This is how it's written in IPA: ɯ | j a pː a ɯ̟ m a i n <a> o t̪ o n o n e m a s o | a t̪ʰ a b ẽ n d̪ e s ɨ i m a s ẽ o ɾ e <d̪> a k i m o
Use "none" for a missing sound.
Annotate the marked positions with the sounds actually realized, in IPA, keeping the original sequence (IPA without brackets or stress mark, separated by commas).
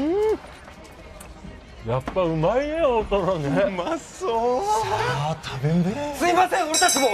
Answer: e, t̪